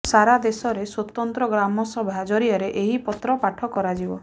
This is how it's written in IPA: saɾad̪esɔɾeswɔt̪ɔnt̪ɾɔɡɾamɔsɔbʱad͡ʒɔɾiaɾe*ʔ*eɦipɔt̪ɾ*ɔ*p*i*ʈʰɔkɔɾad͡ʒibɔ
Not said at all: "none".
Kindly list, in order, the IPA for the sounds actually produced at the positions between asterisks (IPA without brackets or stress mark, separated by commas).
ʔ, ɔ, a